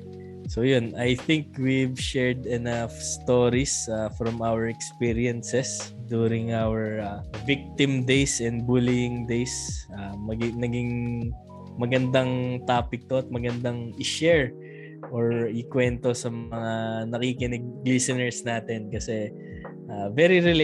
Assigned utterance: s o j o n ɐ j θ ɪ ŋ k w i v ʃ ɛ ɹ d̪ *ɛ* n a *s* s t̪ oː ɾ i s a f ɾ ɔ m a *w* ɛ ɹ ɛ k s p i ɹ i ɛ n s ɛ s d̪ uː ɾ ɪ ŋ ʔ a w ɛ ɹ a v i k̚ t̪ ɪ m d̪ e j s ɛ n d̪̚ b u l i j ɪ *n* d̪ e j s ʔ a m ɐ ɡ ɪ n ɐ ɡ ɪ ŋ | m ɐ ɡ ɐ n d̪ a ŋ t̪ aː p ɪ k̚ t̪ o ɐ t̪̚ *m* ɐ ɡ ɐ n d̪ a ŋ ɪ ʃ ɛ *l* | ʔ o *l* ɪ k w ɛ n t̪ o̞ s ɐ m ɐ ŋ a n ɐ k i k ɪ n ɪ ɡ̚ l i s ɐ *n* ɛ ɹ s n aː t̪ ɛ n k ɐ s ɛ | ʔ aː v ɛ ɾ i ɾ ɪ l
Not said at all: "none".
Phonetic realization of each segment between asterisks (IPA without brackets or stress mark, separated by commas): ɛ, f, w, ŋ, m, ɹ, ɹ, n